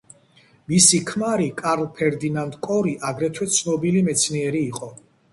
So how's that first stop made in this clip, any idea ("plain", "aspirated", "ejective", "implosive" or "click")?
aspirated